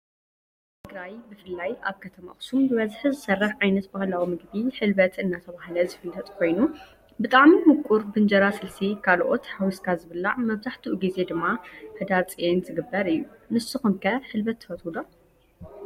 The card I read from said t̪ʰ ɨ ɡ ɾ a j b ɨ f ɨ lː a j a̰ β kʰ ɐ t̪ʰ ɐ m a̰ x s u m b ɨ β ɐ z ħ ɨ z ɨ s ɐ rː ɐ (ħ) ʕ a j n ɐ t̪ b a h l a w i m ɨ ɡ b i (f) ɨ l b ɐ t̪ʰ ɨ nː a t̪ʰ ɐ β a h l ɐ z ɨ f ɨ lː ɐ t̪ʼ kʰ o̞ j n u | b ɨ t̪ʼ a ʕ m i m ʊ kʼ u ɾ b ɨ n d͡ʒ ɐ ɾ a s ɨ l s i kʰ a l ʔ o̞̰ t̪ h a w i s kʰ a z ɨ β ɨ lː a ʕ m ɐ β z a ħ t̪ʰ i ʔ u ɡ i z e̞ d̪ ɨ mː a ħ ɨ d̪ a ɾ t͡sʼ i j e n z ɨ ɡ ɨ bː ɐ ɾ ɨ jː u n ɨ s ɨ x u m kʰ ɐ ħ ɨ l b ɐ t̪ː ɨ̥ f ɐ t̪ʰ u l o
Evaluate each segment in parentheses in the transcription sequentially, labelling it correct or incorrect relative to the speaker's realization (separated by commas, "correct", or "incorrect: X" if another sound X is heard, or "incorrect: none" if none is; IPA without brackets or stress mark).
correct, incorrect: ħ